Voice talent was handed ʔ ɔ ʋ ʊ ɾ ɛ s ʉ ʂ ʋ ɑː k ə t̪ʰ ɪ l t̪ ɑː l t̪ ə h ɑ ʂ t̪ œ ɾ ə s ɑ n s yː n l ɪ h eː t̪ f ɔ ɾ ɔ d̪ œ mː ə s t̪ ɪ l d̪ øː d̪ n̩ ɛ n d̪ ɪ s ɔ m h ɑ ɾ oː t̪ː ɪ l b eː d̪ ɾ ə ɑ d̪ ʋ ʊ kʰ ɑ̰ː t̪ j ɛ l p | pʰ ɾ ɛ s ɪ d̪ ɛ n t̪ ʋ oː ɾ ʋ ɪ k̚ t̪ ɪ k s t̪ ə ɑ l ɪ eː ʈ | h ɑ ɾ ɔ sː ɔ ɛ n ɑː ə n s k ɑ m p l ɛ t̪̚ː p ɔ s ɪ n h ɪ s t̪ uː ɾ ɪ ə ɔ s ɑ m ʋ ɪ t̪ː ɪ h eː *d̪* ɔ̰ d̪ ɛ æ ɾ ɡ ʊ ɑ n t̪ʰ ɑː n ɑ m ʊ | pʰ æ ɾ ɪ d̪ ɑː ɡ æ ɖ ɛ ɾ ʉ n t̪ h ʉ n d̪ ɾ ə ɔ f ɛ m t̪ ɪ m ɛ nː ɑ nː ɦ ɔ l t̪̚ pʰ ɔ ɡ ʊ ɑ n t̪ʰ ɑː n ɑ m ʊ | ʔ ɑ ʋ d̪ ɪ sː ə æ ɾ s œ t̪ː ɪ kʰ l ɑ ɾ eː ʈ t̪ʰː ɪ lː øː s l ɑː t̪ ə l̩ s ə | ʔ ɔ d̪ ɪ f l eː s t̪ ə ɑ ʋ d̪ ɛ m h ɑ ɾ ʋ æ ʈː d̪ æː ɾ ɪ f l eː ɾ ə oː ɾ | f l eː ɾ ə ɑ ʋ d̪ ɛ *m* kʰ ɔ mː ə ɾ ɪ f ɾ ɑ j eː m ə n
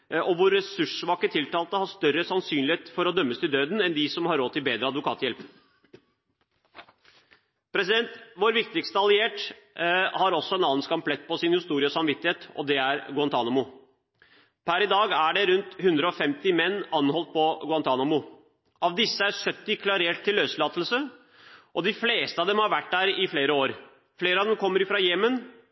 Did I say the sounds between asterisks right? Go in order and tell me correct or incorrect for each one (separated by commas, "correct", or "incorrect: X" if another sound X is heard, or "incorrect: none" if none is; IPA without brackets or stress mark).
incorrect: t̪, correct